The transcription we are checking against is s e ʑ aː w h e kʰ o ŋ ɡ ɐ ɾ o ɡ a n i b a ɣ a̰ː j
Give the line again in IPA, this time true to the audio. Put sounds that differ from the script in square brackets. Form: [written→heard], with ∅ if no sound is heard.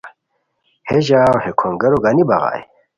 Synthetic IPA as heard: [s→h] e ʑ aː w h e kʰ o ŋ ɡ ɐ ɾ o ɡ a n i b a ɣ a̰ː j